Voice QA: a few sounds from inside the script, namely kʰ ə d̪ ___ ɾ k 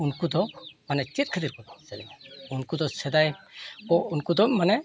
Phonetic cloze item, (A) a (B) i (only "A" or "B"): B